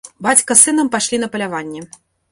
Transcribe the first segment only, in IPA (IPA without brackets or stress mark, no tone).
b